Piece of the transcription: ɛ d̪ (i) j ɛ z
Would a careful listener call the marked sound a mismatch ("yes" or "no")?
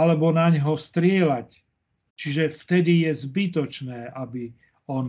no